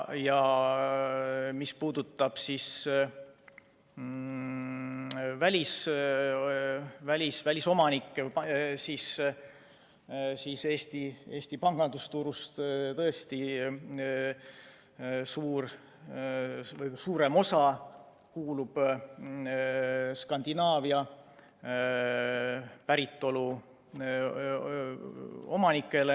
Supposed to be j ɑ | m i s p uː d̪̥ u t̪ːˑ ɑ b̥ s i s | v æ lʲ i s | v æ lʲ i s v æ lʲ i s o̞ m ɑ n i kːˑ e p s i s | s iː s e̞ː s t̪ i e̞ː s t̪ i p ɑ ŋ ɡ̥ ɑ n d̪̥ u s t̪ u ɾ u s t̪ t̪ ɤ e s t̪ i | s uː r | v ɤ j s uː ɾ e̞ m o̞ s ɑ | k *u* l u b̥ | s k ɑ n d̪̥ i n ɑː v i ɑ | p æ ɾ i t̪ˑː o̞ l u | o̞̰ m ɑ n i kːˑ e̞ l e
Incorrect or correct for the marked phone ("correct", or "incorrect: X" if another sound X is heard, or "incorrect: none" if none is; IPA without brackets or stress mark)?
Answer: incorrect: uː